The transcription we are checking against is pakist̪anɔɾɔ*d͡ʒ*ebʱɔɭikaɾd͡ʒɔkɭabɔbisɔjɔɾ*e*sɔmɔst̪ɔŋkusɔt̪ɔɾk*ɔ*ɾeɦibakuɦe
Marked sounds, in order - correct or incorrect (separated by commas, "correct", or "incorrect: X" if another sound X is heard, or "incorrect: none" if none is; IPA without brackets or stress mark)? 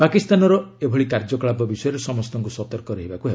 incorrect: none, correct, correct